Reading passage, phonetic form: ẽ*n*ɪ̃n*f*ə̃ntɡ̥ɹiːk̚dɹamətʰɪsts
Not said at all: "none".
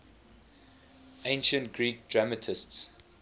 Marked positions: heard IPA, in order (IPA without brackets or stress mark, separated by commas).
none, ʃ